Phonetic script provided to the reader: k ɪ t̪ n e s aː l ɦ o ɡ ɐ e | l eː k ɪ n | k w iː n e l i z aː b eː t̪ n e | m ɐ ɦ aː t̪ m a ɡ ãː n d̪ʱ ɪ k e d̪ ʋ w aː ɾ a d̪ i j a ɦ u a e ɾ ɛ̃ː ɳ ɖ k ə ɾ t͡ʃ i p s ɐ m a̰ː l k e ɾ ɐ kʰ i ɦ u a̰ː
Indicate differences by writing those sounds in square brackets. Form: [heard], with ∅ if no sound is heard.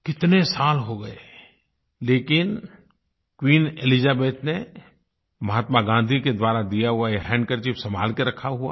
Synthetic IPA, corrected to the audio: k ɪ t̪ n e s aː l ɦ o ɡ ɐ e | l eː k ɪ n | k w iː n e l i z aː b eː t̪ n e | m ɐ ɦ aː t̪ m a ɡ ãː n d̪ʱ [i] k e d̪ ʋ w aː ɾ a d̪ i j a ɦ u a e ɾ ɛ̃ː ɳ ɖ k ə ɾ t͡ʃ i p s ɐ m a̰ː l k e ɾ ɐ kʰ [a] ɦ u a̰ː